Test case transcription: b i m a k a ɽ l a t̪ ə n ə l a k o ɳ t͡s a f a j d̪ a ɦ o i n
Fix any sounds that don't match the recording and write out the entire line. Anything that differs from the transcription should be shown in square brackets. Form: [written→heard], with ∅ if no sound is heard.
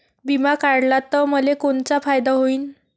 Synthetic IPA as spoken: b i m a k a ɽ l a t̪ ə [n→m] ə l [a→e] k o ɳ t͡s a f a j d̪ a ɦ o [i→iː] n